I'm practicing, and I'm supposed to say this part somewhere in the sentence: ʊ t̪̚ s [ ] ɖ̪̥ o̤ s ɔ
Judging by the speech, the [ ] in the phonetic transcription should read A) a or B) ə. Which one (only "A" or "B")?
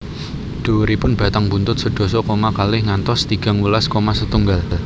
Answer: B